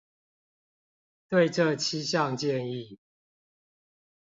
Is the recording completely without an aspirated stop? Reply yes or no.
no